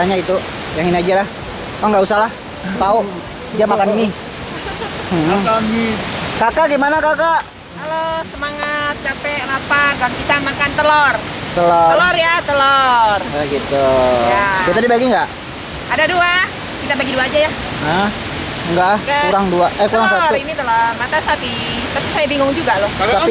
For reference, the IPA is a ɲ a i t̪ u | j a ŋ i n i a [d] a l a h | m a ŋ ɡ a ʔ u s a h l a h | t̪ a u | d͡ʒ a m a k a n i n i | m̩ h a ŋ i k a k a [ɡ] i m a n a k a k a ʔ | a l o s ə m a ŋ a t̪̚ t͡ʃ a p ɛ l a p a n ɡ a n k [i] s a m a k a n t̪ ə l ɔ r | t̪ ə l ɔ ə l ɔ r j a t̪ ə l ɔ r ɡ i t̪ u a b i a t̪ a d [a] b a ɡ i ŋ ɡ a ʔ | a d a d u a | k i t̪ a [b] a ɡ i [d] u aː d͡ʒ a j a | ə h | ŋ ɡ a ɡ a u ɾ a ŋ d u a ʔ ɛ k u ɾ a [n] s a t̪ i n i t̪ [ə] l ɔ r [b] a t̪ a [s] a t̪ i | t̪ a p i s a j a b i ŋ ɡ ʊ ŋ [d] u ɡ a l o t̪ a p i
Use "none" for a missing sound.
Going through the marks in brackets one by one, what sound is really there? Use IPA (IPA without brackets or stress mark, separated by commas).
d͡ʒ, ɡ, i, i, b, d, ŋ, ə, m, s, d͡ʒ